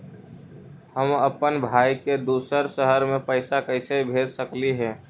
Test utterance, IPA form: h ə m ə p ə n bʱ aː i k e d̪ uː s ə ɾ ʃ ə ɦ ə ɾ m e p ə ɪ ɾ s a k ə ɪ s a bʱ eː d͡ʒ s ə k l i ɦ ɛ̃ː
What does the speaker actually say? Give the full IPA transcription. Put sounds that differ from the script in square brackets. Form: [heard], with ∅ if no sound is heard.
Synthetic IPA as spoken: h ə m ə p ə n bʱ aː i k e d̪ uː s ə ɾ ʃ ə ɦ ə ɾ m [ẽ] p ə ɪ [∅] s a k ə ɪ s [e] bʱ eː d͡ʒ s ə k l i ɦ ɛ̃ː